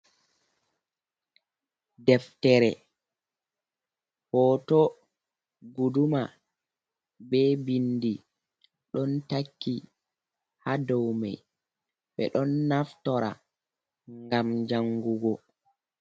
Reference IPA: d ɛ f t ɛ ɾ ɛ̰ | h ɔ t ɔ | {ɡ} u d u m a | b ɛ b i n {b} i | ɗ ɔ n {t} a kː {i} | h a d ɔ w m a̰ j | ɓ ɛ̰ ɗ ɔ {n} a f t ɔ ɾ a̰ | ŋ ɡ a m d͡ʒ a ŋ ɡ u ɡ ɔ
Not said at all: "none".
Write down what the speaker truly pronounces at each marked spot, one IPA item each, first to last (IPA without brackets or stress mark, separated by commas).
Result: ɡ, d, t, i, nː